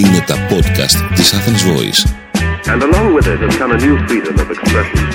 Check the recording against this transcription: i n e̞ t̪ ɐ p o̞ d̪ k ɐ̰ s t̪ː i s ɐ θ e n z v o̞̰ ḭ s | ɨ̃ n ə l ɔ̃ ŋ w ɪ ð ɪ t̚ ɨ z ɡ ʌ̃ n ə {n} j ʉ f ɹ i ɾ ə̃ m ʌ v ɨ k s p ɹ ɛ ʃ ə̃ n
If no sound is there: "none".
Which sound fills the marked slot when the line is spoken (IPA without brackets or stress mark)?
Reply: n